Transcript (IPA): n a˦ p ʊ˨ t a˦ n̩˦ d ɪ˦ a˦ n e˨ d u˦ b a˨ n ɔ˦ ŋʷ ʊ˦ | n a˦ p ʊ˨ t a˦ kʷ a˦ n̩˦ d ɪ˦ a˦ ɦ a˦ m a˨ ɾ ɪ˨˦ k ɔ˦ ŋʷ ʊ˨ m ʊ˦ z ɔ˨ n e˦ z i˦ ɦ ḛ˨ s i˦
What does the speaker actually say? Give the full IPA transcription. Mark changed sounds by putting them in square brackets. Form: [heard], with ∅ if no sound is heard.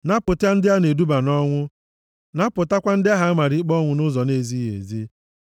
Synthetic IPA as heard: n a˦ p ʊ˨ t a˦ n̩˦ d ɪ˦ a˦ n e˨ d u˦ b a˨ n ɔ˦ ŋʷ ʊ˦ | n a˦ p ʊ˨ t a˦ kʷ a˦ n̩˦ d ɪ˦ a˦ ɦ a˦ m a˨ ɾ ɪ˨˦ [k͡p] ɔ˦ ŋʷ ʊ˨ [n] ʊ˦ z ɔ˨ n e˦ z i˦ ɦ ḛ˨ [z] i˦